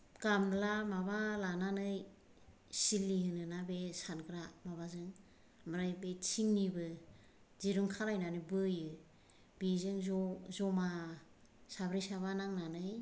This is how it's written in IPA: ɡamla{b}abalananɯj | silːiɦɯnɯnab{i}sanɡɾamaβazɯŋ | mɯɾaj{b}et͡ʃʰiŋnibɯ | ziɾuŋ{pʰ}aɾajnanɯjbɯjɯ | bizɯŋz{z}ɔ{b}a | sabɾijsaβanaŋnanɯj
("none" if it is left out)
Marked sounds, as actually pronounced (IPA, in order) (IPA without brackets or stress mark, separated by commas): m, e, b, kʰ, z, m